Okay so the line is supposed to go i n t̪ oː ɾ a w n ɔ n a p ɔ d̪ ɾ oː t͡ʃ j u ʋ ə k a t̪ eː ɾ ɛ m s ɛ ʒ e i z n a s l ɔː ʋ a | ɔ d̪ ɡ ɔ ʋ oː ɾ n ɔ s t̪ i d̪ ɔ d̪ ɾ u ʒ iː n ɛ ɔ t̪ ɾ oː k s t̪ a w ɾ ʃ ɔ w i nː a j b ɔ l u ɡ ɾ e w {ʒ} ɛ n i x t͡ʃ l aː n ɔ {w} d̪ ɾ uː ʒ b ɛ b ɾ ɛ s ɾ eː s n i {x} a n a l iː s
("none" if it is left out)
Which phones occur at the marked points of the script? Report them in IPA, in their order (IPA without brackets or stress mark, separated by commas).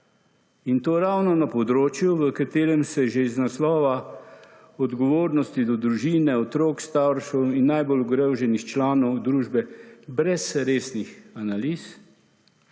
ʒ, w, x